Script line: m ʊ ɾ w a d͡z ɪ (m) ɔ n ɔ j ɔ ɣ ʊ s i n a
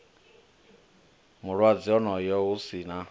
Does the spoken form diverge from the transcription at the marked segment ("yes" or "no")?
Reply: yes